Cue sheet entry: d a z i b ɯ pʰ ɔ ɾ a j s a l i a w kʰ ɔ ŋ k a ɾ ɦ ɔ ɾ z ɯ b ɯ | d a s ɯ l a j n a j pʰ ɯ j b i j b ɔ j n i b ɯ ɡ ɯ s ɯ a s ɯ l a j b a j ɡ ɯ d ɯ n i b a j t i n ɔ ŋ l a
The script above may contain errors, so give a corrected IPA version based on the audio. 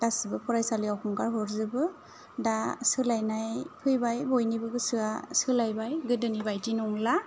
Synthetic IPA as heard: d a s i b ɯ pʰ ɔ ɾ a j s a l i a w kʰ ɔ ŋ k a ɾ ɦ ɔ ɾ z ɯ b ɯ | d a s ɯ l a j n a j pʰ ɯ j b a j b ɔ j n i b ɯ ɡ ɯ s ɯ a s ɯ l a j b a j ɡ ɯ d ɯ n i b a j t i n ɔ ŋ l a